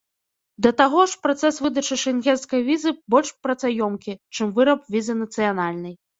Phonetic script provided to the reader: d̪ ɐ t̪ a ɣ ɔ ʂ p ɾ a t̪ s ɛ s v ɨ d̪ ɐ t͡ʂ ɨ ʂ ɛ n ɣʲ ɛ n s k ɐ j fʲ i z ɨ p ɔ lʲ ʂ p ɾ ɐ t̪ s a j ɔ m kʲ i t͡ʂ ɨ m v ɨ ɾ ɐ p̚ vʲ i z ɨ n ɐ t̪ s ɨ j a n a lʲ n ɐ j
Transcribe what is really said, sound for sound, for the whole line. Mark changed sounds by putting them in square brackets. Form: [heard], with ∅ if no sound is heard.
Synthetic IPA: d̪ ɐ t̪ a ɣ ɔ ʂ p ɾ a t̪ s ɛ s v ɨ d̪ ɐ t͡ʂ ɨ ʂ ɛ n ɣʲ ɛ n s k ɐ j [vʲ] i z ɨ [b] ɔ lʲ ʂ p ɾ ɐ t̪ s a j ɔ m kʲ i t͡ʂ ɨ m v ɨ ɾ ɐ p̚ vʲ i z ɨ n ɐ t̪ s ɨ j a n a lʲ n ɐ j